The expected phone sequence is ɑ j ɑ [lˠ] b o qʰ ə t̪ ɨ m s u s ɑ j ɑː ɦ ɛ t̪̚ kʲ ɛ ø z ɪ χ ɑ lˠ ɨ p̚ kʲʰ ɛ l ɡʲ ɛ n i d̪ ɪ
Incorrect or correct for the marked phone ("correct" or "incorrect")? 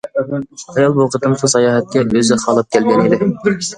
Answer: correct